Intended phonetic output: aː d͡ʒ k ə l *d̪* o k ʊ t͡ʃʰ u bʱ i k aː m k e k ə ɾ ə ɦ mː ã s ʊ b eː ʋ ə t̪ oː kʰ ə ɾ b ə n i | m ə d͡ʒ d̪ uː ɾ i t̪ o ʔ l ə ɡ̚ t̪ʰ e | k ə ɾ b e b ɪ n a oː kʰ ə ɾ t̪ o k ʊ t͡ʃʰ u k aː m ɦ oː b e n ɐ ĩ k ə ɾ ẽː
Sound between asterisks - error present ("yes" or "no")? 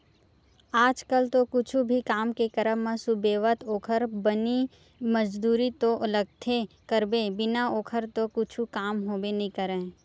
yes